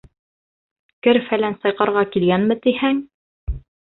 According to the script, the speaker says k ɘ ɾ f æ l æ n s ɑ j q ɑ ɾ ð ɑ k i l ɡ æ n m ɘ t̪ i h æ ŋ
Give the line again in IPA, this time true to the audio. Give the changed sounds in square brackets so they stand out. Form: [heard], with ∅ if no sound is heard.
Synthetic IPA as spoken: k ɘ ɾ f æ l æ n s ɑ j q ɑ ɾ [ʁ] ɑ k i l ɡ æ n m ɘ t̪ i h æ ŋ